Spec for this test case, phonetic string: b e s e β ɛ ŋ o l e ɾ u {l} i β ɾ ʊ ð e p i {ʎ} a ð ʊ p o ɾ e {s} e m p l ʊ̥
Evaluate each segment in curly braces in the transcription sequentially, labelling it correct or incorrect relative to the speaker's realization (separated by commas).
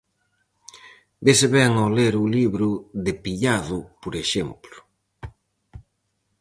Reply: correct, correct, incorrect